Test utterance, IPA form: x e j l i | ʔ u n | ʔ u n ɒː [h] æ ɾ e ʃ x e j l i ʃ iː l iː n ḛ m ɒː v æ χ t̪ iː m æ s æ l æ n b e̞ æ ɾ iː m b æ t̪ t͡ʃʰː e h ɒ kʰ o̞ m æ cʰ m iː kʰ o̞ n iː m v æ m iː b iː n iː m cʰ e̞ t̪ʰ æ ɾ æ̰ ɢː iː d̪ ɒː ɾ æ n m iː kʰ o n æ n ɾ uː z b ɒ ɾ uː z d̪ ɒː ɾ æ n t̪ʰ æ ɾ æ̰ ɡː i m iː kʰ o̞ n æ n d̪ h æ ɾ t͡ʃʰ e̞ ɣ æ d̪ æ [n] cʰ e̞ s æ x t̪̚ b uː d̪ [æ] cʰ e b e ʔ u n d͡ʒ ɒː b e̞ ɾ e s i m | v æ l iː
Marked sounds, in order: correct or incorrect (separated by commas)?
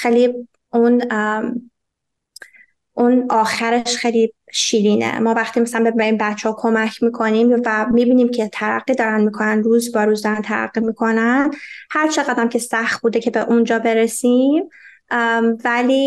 incorrect, incorrect, incorrect